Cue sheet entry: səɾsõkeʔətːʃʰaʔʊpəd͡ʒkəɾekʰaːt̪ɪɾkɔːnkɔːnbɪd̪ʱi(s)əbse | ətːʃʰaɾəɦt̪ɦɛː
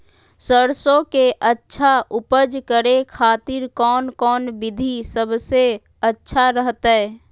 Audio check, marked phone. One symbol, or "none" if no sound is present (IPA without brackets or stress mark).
s